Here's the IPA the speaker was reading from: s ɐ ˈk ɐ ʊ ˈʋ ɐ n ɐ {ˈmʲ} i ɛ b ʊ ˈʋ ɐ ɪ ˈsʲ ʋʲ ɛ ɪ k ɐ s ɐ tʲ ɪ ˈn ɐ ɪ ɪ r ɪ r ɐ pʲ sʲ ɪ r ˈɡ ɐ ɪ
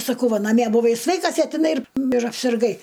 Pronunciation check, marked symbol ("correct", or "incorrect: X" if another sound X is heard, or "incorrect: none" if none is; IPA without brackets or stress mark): correct